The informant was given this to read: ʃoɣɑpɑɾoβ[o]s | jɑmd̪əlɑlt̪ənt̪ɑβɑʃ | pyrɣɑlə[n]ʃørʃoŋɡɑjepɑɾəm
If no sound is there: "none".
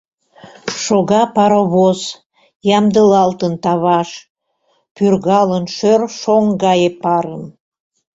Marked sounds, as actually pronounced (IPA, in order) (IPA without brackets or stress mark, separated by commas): o, n